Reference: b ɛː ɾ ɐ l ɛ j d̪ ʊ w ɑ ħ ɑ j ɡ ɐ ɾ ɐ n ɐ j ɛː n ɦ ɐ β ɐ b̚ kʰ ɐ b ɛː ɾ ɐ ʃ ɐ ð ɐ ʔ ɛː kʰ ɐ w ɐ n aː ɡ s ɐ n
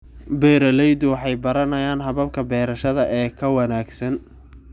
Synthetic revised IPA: b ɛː ɾ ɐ l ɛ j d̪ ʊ w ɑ ħ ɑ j b ɐ ɾ ɐ n ɐ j aː n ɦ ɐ β ɐ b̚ kʰ ɐ b ɛː ɾ ɐ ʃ ɐ ð ɐ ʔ ɛː kʰ ɐ w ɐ n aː ɡ s ɐ n